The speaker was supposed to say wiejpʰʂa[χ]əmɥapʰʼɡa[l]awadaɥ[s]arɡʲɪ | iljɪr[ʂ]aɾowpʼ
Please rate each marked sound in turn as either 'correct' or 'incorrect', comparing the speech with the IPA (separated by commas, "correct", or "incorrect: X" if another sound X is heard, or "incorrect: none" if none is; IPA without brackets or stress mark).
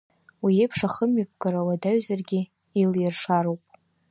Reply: correct, incorrect: ɾ, incorrect: z, correct